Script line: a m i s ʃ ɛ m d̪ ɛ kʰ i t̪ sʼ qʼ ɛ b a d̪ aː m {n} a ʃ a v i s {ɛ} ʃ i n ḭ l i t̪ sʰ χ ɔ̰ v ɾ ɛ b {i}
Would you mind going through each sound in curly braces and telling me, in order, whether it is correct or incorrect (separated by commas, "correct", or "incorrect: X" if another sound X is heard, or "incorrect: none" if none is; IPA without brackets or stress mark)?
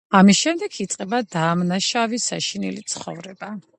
correct, incorrect: a, incorrect: a